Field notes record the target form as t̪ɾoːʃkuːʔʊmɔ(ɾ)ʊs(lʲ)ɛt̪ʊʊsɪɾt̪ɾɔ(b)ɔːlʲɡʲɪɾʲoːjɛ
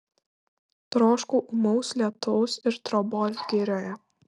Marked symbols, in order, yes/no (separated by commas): no, yes, yes